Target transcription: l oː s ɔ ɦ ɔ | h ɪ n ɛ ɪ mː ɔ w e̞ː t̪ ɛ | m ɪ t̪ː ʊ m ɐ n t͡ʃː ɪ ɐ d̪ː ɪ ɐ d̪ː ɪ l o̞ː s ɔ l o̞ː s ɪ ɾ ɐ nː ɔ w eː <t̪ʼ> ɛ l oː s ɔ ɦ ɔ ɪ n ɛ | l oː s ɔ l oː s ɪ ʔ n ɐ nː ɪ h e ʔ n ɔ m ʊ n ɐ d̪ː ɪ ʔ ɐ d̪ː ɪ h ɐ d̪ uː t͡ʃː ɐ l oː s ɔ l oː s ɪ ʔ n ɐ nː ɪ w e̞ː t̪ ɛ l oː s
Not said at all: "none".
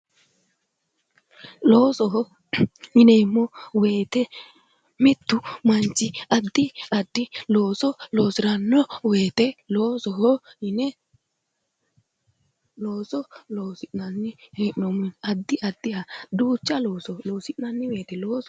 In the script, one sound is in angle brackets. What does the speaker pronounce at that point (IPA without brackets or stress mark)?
t̪